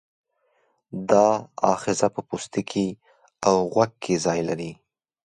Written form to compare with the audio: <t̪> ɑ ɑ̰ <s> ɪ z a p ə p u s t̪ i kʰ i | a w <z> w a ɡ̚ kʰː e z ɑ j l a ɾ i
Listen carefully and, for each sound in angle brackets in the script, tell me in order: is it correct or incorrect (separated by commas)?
incorrect, incorrect, incorrect